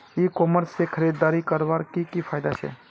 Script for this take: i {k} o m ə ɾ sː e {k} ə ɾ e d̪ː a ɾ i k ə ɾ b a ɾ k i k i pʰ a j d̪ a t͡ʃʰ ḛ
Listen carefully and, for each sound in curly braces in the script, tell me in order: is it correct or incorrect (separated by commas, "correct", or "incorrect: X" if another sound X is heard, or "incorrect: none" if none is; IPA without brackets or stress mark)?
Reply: correct, incorrect: kʰ